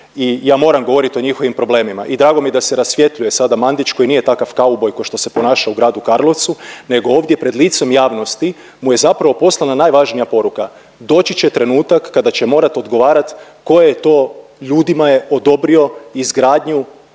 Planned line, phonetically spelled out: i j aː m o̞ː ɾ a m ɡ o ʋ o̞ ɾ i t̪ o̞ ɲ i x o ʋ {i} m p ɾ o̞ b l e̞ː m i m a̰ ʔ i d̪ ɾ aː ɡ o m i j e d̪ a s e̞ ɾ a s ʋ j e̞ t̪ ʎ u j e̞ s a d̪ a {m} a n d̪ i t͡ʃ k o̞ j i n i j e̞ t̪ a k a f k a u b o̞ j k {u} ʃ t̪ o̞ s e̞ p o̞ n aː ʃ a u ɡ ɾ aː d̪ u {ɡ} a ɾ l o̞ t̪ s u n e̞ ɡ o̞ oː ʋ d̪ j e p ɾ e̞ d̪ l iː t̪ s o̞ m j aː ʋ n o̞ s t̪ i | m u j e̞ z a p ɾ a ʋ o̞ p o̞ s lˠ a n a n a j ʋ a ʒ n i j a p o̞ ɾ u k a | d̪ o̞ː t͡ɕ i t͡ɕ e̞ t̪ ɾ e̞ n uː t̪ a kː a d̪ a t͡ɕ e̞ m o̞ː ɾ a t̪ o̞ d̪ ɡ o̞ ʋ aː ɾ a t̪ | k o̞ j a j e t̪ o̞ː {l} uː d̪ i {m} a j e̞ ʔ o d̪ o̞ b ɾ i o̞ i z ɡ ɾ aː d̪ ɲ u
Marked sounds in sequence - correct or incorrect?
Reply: correct, correct, incorrect, incorrect, incorrect, correct

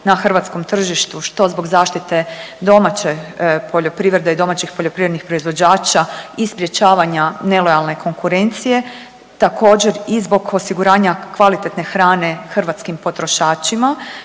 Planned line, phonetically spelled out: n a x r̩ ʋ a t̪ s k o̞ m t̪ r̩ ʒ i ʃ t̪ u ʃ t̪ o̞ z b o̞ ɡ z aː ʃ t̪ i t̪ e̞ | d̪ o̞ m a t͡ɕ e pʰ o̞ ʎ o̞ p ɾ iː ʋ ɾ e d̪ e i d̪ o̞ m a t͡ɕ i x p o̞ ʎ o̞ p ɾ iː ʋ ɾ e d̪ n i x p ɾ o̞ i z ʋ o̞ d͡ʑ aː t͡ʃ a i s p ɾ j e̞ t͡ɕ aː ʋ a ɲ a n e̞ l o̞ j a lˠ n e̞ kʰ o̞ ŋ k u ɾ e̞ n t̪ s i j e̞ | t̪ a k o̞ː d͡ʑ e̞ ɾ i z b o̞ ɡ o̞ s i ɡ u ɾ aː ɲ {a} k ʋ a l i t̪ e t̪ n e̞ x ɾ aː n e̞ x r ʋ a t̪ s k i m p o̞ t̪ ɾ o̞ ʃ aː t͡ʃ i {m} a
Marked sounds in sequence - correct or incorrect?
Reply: correct, correct

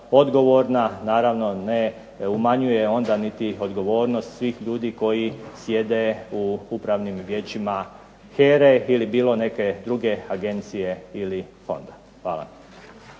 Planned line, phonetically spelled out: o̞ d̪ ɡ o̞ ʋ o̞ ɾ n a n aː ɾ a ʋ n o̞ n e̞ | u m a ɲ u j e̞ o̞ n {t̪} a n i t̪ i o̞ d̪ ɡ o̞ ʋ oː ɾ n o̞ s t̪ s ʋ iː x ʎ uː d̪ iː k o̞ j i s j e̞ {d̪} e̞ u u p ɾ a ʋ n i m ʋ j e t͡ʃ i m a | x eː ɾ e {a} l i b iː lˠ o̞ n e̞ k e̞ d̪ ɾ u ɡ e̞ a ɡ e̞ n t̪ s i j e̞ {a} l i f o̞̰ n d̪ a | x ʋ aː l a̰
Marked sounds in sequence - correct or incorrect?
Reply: incorrect, correct, incorrect, incorrect

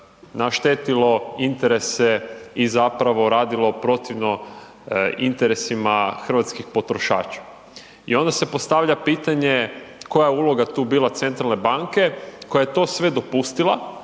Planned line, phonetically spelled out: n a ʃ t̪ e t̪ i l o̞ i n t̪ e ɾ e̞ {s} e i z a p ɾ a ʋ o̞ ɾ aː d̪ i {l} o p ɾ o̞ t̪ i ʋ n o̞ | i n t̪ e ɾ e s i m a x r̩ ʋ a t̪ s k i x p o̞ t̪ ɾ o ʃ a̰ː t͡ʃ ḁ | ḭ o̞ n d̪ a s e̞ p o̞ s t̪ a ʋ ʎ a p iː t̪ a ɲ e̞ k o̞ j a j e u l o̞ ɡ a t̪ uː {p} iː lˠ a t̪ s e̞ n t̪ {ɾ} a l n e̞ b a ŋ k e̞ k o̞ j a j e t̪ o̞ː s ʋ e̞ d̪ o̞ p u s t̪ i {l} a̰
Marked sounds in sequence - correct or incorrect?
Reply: correct, correct, incorrect, correct, correct

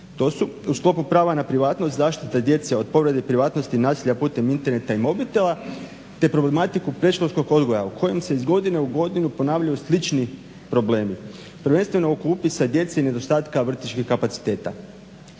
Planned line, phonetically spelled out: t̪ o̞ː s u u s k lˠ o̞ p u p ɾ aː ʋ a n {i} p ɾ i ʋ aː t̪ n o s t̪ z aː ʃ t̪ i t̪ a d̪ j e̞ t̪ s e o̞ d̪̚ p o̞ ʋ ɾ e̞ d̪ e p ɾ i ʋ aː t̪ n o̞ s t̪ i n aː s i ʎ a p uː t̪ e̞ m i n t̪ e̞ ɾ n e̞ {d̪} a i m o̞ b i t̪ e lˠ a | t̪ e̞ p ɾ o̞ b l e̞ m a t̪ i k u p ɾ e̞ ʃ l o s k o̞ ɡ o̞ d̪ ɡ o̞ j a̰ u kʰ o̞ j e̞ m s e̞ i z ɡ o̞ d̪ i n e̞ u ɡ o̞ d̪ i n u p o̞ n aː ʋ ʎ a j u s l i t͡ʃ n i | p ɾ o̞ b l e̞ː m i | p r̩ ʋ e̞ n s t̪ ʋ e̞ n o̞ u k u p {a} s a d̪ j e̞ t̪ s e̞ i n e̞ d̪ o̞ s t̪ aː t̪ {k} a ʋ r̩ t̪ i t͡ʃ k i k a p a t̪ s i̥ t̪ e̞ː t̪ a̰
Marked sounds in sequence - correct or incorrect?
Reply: incorrect, incorrect, incorrect, correct

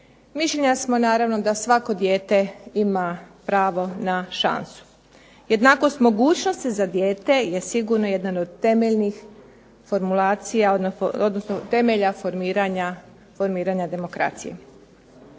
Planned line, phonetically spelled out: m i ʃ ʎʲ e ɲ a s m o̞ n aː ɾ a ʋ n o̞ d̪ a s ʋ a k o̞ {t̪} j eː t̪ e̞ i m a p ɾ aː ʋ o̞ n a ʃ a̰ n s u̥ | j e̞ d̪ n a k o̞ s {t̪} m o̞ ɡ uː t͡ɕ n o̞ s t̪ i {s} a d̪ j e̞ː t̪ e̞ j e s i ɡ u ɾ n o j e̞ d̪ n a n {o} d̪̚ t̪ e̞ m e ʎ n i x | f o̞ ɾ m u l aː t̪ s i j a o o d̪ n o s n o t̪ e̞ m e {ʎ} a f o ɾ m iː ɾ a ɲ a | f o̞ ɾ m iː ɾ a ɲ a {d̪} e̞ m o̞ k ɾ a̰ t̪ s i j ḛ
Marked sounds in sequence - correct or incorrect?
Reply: incorrect, correct, incorrect, correct, correct, correct

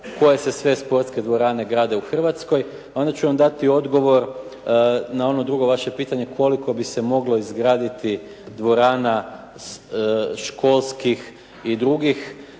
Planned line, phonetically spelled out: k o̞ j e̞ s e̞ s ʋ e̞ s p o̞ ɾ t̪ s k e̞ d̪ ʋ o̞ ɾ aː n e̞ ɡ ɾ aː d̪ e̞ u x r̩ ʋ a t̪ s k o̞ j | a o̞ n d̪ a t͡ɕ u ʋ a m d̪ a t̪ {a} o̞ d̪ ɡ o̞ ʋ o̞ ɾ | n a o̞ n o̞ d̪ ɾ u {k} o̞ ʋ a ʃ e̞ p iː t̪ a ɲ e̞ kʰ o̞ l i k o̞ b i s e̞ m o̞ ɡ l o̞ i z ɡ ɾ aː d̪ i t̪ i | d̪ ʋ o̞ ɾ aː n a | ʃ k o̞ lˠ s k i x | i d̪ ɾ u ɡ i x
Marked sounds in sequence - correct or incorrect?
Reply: incorrect, incorrect

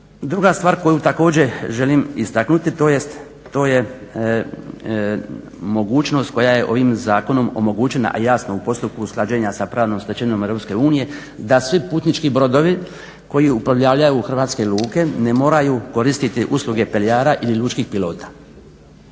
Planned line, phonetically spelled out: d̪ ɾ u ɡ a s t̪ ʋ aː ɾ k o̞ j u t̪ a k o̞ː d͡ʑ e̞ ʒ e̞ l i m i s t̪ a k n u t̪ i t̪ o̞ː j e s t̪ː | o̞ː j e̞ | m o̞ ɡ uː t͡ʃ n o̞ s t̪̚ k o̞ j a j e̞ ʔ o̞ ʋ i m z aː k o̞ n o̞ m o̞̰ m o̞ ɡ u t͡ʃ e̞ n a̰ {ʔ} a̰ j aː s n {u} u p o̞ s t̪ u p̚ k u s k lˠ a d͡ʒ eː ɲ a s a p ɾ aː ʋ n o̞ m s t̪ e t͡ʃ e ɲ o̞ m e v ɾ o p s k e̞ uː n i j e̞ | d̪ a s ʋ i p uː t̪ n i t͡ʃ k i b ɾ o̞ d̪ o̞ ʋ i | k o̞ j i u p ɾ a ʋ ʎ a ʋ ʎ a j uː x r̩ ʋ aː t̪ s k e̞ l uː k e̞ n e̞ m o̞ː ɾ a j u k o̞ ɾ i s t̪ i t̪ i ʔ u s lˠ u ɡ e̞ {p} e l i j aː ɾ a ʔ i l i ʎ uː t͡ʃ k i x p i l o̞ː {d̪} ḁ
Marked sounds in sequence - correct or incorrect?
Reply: correct, incorrect, correct, incorrect

